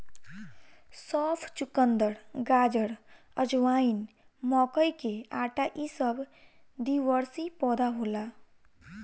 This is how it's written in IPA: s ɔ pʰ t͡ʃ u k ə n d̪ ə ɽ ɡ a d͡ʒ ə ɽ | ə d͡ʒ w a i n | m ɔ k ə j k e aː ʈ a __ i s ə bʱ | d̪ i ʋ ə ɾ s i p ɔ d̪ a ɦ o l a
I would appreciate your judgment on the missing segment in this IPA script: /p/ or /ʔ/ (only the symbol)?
ʔ